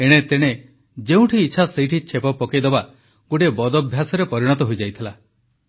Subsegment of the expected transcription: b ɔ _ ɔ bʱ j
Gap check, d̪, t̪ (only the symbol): d̪